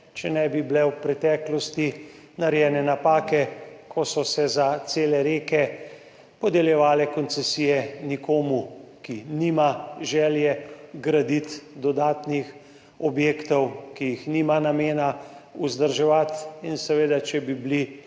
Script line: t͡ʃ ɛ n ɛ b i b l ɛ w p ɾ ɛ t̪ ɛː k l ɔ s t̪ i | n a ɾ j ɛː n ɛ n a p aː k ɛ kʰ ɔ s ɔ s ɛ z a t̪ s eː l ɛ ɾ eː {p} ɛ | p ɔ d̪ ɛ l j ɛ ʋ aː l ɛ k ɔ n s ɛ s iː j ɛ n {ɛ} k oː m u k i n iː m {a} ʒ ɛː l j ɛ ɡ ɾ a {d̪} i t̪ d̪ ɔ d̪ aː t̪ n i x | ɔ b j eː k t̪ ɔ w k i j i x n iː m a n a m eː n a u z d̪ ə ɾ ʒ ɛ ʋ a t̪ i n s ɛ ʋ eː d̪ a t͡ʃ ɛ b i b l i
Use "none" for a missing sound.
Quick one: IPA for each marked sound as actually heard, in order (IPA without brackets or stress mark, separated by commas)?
k, i, a, d̪